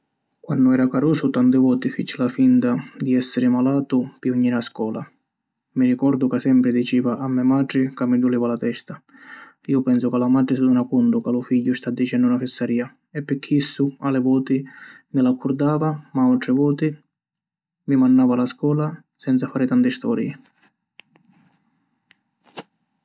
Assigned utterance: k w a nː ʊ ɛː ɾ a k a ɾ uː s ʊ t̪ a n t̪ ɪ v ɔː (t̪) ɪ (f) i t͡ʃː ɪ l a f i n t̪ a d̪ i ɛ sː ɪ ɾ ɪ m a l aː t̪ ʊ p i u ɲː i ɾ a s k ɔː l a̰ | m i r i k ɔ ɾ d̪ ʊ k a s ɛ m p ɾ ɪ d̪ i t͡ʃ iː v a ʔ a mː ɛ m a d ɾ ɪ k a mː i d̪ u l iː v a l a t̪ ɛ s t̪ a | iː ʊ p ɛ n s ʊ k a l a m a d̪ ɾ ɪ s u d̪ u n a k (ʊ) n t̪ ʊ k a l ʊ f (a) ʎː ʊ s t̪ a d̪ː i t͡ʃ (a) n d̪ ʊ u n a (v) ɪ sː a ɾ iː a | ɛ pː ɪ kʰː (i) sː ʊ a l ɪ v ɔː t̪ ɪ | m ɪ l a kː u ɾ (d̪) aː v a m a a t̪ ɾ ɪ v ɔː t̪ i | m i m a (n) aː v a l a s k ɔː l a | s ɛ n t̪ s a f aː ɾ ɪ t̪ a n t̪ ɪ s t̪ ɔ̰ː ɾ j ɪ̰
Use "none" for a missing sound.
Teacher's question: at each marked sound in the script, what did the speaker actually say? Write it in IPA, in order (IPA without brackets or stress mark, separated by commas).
t̪, f, u, i, ɛ, f, i, d̪, nː